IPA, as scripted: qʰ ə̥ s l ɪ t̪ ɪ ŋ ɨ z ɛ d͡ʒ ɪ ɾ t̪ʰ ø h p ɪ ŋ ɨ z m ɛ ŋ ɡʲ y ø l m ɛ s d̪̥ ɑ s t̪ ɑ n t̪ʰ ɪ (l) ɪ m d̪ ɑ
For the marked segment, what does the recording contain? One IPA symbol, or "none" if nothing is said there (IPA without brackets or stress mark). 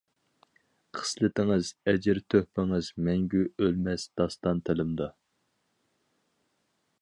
l